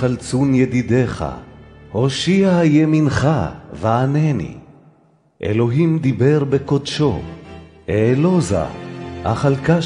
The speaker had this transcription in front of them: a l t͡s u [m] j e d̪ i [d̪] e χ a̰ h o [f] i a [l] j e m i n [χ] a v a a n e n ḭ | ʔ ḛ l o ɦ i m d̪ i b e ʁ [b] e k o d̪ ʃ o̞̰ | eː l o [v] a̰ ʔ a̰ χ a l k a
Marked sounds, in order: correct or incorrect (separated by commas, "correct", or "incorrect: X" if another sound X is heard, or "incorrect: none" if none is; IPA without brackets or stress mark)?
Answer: incorrect: n, correct, incorrect: ʃ, incorrect: none, correct, correct, incorrect: z